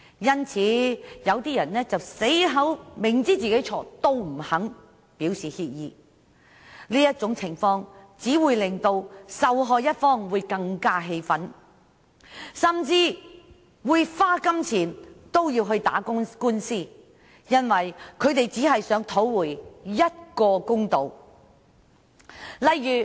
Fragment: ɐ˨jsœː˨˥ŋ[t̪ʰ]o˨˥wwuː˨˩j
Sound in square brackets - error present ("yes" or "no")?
no